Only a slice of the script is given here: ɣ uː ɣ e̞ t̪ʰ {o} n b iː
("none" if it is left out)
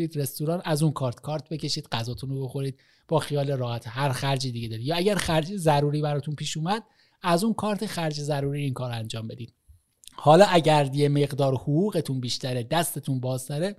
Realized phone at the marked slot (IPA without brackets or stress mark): u